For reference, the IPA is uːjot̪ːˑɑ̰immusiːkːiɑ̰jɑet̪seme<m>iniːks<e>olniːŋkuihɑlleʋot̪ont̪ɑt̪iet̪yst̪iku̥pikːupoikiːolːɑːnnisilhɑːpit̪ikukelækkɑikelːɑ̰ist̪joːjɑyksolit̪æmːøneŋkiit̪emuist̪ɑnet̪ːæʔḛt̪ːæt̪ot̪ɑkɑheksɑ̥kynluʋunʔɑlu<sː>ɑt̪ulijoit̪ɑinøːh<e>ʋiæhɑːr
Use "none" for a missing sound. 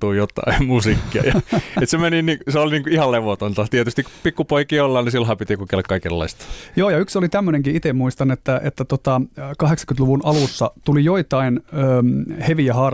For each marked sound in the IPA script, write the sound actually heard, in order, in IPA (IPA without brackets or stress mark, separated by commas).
n, e, sː, e